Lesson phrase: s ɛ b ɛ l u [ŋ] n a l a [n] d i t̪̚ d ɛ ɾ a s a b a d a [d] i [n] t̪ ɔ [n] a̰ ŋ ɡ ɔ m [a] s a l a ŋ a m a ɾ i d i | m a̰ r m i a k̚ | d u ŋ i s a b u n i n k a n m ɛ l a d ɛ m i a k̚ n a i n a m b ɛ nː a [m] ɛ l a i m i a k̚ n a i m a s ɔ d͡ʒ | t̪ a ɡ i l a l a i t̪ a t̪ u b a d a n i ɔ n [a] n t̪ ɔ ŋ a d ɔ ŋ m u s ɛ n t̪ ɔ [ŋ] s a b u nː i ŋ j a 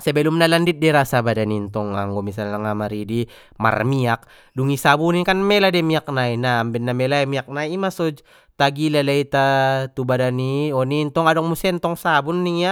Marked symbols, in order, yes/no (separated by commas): no, yes, no, yes, no, no, yes, no, yes